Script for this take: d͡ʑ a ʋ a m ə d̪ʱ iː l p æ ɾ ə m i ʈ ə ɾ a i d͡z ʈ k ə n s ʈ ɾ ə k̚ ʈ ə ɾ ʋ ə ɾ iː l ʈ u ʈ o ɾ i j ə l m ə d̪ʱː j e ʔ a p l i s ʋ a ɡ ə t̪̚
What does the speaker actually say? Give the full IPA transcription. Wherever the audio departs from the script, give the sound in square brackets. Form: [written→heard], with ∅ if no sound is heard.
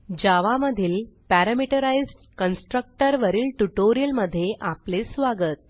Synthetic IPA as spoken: d͡ʑ a ʋ a m ə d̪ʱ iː l p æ ɾ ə m i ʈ ə ɾ a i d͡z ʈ k ə n s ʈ ɾ ə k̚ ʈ ə ɾ ʋ ə ɾ iː l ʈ u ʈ o ɾ i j ə l m ə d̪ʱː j e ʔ a p l [i→e] s ʋ a ɡ ə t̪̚